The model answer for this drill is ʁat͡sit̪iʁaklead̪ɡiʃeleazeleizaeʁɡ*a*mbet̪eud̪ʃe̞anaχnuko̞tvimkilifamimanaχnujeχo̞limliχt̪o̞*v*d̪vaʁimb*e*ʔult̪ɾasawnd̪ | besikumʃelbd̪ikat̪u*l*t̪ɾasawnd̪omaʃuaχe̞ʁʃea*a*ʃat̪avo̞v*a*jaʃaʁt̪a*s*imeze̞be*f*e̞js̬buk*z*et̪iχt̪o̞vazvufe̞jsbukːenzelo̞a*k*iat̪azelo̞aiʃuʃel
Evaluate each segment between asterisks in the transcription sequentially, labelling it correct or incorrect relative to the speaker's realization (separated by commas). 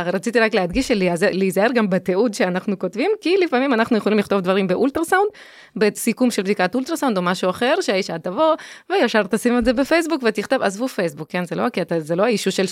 correct, correct, correct, correct, incorrect, incorrect, correct, correct, incorrect, correct